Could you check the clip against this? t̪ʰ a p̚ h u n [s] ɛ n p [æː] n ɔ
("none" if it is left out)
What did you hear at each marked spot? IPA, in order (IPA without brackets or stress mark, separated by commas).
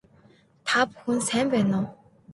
s, ɛː